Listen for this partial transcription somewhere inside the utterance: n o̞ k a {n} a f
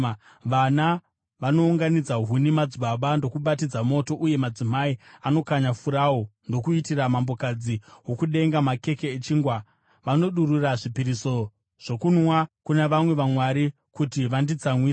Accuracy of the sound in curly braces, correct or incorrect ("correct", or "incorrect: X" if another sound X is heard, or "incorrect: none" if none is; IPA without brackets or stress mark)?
incorrect: ɲ